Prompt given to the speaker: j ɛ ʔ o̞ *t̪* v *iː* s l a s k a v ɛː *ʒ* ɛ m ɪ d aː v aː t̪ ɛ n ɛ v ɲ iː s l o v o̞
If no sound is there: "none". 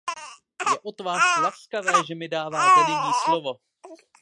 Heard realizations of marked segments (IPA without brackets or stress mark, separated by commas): t̪, aː, ʒ